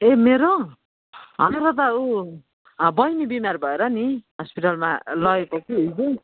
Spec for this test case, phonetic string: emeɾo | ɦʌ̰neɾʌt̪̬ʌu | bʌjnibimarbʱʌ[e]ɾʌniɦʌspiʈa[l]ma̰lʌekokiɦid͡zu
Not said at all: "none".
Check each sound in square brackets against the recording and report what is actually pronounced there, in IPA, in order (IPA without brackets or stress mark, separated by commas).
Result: e, l